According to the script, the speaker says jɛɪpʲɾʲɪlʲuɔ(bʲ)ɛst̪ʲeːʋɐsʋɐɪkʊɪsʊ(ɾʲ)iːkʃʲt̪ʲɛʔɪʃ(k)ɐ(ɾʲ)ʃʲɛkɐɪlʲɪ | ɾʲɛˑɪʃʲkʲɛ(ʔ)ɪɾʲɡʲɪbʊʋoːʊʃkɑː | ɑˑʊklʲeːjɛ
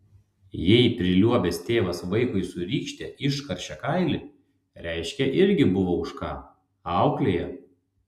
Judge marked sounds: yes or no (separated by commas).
yes, yes, yes, yes, yes